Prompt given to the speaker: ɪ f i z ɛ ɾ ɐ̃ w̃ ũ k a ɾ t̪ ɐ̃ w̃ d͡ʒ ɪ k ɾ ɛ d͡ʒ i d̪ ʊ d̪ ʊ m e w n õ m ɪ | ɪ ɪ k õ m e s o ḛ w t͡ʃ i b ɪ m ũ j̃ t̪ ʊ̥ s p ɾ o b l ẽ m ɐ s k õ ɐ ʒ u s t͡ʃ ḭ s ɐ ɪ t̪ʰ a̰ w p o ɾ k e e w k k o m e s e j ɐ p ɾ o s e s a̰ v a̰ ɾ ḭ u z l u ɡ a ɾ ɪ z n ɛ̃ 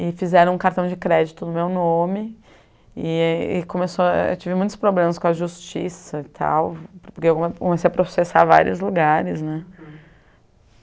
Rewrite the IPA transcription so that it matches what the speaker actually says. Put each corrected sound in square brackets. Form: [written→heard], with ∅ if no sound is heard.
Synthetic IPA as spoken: ɪ f i z ɛ ɾ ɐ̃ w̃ ũ k a ɾ t̪ ɐ̃ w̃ d͡ʒ ɪ k ɾ ɛ d͡ʒ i [d̪→t̪] ʊ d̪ ʊ m e w n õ m ɪ | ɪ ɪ k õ m e s o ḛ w t͡ʃ i [b→v] ɪ m ũ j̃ t̪ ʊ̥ s p ɾ o b l ẽ m ɐ s k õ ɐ ʒ u s t͡ʃ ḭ s ɐ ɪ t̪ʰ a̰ w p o ɾ k e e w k k o m e s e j ɐ p ɾ o s e s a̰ v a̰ ɾ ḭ [u→ʊ] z l u ɡ a ɾ ɪ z n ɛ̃

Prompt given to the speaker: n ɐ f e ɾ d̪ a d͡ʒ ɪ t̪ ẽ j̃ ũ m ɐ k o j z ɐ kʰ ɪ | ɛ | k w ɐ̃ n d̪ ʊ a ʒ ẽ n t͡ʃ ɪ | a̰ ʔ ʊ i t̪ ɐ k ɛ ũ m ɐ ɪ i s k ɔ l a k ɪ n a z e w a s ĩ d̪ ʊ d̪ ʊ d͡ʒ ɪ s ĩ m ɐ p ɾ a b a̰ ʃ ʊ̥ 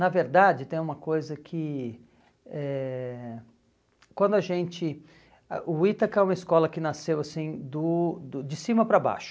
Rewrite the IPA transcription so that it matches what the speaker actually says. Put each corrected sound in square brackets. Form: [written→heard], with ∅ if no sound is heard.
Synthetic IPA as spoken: n ɐ [f→v] e ɾ d̪ a d͡ʒ ɪ t̪ ẽ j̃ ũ m ɐ k o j z ɐ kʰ ɪ | ɛ | k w ɐ̃ n d̪ ʊ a ʒ ẽ n t͡ʃ ɪ | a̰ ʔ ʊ i t̪ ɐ k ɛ ũ m ɐ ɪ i s k ɔ l [a→ɐ] k ɪ n a [z→s] e w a s ĩ d̪ ʊ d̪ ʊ d͡ʒ ɪ s ĩ m ɐ p ɾ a b a̰ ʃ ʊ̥

